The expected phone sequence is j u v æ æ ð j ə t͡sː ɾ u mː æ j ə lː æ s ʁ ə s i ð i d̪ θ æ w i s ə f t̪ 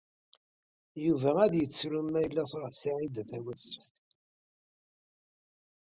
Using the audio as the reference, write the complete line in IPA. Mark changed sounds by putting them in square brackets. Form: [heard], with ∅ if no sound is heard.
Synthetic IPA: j u v æ æ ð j ə t͡sː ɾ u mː æ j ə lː æ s ʁ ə s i [ʕ] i d̪ θ æ w [æ] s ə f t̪